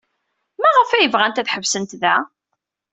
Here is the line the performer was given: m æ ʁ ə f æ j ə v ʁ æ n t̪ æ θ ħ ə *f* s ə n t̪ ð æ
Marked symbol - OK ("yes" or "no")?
no